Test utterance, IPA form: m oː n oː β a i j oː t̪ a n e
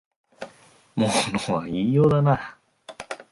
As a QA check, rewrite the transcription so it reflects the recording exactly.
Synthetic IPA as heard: m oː n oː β a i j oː d̪ a n a

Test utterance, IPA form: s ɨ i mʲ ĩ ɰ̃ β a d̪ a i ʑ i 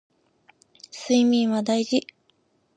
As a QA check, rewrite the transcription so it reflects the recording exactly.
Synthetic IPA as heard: s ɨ i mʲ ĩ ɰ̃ β a d̪ a i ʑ i

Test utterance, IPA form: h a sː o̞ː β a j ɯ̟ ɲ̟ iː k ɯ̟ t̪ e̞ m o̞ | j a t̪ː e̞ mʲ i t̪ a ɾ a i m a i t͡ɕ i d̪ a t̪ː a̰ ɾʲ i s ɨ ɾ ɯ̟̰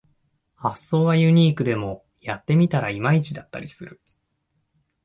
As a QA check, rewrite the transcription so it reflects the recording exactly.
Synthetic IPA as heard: h a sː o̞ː β a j ɯ̟ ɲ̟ iː k ɯ̟ d̪ e̞ m o̞ | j a t̪ː e̞ mʲ i t̪ a ɾ a i m a i t͡ɕ i d̪ a t̪ː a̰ ɾʲ i s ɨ ɾ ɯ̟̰

